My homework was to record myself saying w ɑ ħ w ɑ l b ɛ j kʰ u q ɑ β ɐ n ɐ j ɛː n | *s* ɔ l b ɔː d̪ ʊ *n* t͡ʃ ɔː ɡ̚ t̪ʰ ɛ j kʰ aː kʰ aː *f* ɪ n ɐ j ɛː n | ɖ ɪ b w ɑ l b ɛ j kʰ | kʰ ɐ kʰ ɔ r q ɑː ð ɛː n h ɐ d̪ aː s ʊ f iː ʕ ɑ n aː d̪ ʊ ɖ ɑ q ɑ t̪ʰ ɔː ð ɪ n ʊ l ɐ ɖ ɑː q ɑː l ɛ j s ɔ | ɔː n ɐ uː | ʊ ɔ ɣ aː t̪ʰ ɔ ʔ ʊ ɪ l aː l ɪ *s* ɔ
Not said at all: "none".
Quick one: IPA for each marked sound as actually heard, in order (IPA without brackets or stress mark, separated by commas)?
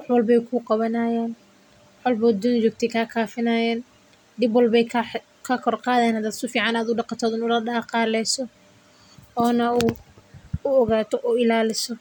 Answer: ħ, n, f, s